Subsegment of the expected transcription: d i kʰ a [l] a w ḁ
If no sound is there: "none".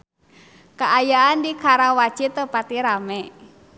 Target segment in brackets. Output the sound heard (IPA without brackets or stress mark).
ɾ